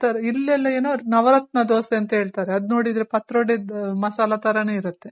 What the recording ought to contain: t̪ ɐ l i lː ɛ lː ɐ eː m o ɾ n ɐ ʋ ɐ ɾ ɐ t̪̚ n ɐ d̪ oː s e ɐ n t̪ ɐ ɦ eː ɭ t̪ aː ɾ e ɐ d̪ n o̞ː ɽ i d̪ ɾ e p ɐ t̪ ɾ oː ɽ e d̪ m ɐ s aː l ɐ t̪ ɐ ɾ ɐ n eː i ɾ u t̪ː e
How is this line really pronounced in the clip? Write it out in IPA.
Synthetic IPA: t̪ ɐ ɾ i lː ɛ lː ɐ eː n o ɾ n ɐ ʋ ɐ ɾ ɐ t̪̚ n ɐ d̪ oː s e ɐ n t̪ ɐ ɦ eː ɭ t̪ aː ɾ e ɐ d̪ n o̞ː ɽ i d̪ ɾ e p ɐ t̪ ɾ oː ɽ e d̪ m ɐ s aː l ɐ t̪ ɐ ɾ ɐ n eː i ɾ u t̪ː e